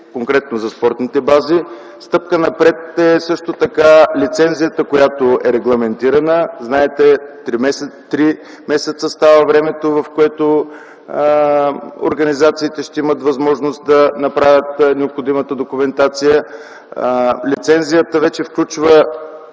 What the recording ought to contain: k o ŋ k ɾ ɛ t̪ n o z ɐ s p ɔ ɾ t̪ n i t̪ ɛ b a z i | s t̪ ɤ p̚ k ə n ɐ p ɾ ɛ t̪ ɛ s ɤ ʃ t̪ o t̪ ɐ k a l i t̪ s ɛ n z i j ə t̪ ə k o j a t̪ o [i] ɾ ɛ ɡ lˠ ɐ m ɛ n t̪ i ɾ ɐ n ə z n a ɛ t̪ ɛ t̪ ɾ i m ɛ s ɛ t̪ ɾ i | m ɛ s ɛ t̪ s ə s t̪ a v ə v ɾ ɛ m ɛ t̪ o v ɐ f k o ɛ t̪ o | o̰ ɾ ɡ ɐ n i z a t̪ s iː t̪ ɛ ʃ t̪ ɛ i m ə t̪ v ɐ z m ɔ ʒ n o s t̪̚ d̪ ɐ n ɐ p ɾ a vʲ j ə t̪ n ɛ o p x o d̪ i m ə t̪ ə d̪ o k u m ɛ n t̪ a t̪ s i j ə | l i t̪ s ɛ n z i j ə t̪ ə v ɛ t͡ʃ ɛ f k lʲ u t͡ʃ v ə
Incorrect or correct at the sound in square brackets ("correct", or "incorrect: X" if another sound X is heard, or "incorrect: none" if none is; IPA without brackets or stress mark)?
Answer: incorrect: ɛ